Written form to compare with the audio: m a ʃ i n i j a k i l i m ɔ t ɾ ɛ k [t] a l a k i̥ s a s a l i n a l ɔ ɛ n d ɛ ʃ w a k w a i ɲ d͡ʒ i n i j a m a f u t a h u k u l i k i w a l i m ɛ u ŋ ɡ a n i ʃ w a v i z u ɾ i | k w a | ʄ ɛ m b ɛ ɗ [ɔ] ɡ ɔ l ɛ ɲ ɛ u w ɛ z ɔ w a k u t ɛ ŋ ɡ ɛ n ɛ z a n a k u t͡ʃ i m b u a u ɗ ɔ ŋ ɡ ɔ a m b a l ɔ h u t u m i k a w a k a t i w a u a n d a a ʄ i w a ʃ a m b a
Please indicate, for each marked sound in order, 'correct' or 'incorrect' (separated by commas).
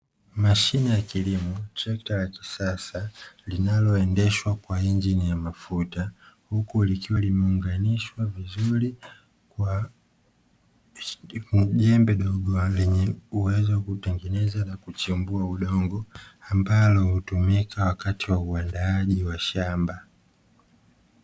correct, correct